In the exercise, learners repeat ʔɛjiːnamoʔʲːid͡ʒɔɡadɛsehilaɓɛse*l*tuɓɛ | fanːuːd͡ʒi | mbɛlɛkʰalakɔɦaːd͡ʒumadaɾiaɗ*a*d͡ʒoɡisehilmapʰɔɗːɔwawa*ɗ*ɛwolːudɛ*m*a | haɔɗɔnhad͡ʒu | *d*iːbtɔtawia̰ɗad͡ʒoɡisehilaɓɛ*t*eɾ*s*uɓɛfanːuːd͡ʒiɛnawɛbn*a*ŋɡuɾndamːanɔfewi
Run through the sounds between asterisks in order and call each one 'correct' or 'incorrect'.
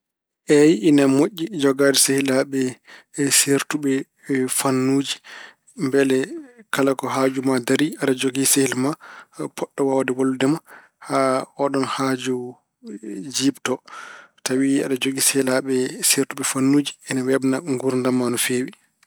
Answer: incorrect: ɾ, correct, incorrect: d, correct, incorrect: d͡ʒ, incorrect: s, incorrect: t, correct

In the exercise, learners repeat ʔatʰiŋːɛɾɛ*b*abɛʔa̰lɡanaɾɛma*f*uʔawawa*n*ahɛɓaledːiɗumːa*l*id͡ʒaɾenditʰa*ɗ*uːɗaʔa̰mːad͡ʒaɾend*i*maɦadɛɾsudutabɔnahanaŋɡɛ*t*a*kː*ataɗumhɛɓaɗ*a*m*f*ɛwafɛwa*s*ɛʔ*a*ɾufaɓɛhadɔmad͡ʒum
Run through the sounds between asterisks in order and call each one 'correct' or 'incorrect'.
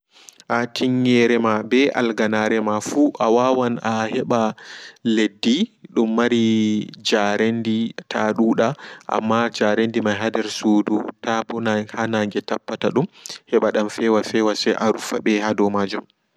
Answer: incorrect: m, correct, correct, incorrect: ɾ, correct, correct, correct, incorrect: pː, correct, correct, correct, correct

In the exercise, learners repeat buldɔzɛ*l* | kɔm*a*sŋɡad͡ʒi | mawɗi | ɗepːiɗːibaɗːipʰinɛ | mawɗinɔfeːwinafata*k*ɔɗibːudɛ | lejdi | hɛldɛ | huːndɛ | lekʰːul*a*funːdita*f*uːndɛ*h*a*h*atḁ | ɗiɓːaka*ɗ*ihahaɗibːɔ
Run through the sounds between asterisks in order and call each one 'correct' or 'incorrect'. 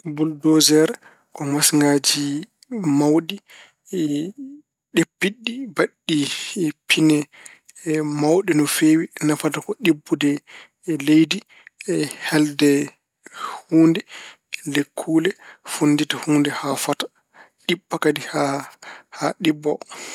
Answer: incorrect: ɾ, correct, correct, incorrect: ɛ, incorrect: h, correct, incorrect: f, incorrect: d

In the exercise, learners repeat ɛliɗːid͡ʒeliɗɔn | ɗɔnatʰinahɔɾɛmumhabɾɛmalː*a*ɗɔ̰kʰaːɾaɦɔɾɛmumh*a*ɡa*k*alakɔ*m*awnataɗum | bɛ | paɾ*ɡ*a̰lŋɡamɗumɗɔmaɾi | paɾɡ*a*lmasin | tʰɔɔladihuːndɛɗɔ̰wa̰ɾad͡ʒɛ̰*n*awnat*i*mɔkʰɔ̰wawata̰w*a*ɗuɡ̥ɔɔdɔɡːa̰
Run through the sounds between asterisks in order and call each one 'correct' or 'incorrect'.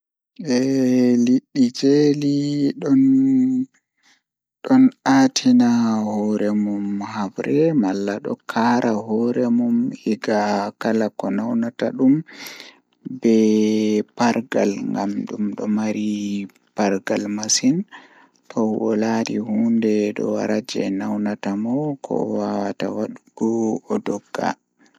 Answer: correct, incorrect: i, correct, incorrect: n, correct, correct, correct, incorrect: a, correct

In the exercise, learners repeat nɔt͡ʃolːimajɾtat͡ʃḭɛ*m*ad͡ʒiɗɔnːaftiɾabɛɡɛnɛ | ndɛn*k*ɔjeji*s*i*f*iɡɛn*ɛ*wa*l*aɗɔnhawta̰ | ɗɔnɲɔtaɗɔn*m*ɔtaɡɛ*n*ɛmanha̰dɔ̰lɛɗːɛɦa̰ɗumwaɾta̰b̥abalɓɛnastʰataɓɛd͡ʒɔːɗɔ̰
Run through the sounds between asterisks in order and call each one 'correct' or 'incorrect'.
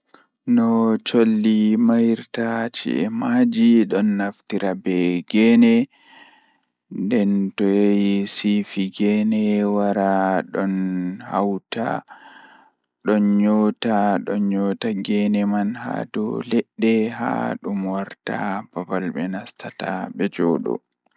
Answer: correct, incorrect: t, correct, correct, correct, incorrect: ɾ, incorrect: ɲ, correct

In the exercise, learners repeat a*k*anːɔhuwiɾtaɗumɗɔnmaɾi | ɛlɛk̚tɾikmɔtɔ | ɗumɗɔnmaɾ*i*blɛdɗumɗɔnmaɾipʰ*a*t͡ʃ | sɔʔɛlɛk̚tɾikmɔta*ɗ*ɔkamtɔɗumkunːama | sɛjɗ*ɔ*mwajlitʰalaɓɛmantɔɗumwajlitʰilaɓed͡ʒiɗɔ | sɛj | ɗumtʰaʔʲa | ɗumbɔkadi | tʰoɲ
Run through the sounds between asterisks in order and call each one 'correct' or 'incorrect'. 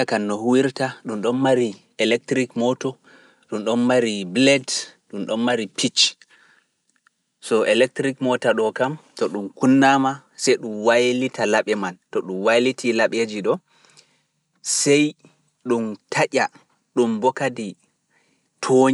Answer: correct, correct, incorrect: i, correct, incorrect: u

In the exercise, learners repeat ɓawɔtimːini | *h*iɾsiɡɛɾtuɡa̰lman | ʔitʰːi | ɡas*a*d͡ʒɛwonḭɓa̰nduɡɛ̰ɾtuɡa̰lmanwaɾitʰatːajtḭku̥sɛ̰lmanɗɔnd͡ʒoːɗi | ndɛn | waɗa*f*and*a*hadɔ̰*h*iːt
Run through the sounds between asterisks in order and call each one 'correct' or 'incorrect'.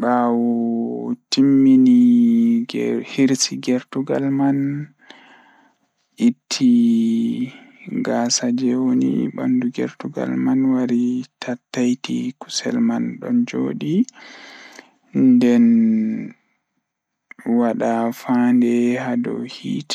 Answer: correct, correct, correct, incorrect: ɛ, correct

